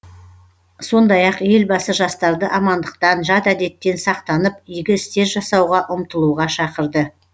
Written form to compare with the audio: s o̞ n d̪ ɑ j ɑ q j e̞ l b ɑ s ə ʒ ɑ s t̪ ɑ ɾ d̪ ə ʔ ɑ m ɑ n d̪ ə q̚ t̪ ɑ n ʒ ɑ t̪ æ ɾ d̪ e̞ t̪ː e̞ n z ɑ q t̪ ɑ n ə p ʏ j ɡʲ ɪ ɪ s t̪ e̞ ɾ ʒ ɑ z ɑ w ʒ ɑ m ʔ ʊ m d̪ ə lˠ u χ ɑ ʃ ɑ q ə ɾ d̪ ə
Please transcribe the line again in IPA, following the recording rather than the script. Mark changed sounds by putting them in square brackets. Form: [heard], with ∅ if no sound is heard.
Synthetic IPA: s o̞ n d̪ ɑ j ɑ q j e̞ l b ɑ s ə ʒ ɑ s t̪ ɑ ɾ d̪ ə ʔ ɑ m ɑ n d̪ ə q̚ t̪ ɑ n ʒ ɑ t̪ æ [∅] d̪ e̞ t̪ː e̞ n [s] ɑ q t̪ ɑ n ə p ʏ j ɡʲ ɪ ɪ s t̪ e̞ ɾ ʒ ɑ [s] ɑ w [ʁ] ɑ [∅] ʔ ʊ m [t̪] ə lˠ u [ʁ] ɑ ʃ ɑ q ə ɾ d̪ ə